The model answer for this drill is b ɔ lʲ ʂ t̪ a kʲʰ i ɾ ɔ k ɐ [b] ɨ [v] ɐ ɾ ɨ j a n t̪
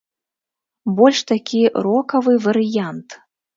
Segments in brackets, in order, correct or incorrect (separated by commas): incorrect, correct